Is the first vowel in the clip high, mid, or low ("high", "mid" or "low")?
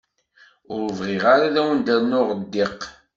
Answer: high